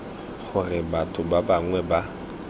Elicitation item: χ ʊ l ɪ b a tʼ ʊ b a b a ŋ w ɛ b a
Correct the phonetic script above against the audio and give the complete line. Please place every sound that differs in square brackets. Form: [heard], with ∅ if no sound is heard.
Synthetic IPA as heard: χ ʊ [r] ɪ b a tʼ ʊ b a b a ŋ w ɛ b a